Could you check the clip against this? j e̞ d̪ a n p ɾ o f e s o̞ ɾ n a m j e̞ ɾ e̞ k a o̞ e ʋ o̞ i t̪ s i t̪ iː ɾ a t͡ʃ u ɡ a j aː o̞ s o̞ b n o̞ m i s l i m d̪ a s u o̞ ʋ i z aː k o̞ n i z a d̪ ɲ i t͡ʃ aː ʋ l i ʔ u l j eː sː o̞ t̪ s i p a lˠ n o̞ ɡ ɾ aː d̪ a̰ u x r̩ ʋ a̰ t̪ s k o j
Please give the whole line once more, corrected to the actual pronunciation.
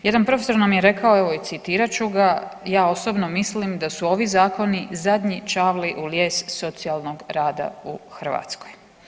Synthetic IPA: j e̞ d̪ a n p ɾ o f e s o̞ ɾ n a m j e̞ ɾ e̞ k a o̞ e ʋ o̞ i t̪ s i t̪ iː ɾ a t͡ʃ u ɡ a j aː o̞ s o̞ b n o̞ m i s l i m d̪ a s u o̞ ʋ i z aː k o̞ n i z a d̪ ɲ i t͡ʃ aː ʋ l i ʔ u l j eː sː o̞ t̪ s i a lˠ n o̞ ɡ ɾ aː d̪ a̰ u x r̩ ʋ a̰ t̪ s k o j

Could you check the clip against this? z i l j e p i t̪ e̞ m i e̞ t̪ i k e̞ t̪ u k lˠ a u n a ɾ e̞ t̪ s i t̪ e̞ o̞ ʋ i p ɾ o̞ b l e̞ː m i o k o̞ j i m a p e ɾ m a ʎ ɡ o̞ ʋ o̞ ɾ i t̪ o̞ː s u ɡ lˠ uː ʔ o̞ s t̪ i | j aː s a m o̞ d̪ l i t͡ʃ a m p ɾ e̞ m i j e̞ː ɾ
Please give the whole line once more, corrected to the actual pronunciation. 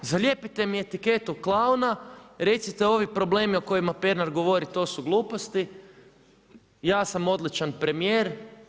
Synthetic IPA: z a l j e p i t̪ e̞ m i e̞ t̪ i k e̞ t̪ u k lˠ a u n a ɾ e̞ t̪ s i t̪ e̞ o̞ ʋ i p ɾ o̞ b l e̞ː m i o k o̞ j i m a p e ɾ n a ɾ ɡ o̞ ʋ o̞ ɾ i t̪ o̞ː s u ɡ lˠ uː p o̞ s t̪ i | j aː s a m o̞ d̪ l i t͡ʃ a n p ɾ e̞ m i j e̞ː ɾ

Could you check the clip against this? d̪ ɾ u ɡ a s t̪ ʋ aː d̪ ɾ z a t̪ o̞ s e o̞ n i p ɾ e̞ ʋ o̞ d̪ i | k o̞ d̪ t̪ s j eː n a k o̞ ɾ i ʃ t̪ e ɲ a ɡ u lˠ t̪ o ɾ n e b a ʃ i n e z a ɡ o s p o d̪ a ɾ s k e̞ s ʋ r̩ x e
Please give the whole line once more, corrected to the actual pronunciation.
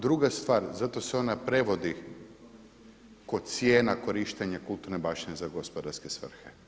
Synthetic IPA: d̪ ɾ u ɡ a s t̪ ʋ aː ɾ z a t̪ o̞ s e o̞ n a p ɾ e̞ ʋ o̞ d̪ i | k o̞ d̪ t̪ s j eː n a k o̞ ɾ i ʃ t̪ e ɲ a k u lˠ t̪ u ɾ n e b a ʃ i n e z a ɡ o s p o d̪ a ɾ s k e̞ s ʋ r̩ x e

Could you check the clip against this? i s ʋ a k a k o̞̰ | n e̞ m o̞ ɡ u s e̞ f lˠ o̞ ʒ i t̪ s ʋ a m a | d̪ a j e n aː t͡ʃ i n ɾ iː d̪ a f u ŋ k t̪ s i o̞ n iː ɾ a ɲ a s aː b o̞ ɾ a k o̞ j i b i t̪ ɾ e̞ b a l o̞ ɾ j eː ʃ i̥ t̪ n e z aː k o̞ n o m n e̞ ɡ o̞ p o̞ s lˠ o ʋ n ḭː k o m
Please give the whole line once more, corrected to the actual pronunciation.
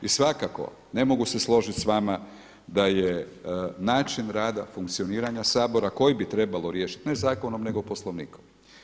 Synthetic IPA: i s ʋ a k a k o̞̰ | n e̞ m o̞ ɡ u s e̞ s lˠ o̞ ʒ i t̪ s ʋ a m a | d̪ a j e n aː t͡ʃ i n ɾ aː d̪ a f u ŋ k t̪ s i o̞ n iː ɾ a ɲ a s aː b o̞ ɾ a k o̞ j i b i t̪ ɾ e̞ b a l o̞ ɾ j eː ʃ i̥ t̪ n e z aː k o̞ n o m n e̞ ɡ o̞ p o̞ s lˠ o ʋ n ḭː k o m

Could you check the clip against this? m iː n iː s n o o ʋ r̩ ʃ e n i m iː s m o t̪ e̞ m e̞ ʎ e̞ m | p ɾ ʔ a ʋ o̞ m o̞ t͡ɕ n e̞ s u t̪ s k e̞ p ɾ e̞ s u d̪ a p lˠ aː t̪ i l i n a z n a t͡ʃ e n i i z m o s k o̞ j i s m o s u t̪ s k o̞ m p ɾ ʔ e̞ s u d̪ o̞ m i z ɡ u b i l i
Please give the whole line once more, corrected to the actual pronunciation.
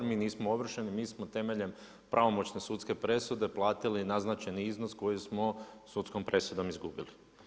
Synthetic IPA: m iː n iː s m o o ʋ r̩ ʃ e n i m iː s m o t̪ e̞ m e̞ ʎ e̞ m | p ɾ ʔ a ʋ o̞ m o̞ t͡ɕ n e̞ s u t̪ s k e̞ p ɾ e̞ s u d̪ e p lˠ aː t̪ i l i n a z n a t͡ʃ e n i i z n o s k o̞ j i s m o s u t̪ s k o̞ m p ɾ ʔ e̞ s u d̪ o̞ m i z ɡ u b i l i

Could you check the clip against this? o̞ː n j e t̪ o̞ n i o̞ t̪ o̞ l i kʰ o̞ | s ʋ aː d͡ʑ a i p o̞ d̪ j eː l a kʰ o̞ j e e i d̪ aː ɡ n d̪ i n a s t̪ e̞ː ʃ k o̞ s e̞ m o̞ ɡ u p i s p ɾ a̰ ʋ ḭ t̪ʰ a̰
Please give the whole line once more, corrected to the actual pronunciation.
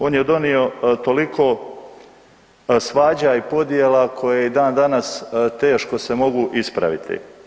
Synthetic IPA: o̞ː n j e d̪ o̞ n i o̞ t̪ o̞ l i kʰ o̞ | s ʋ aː d͡ʑ a i p o̞ d̪ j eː l a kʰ o̞ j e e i d̪ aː n d̪ a n a s t̪ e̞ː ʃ k o̞ s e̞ m o̞ ɡ u ʔ i s p ɾ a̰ ʋ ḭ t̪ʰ ḭ

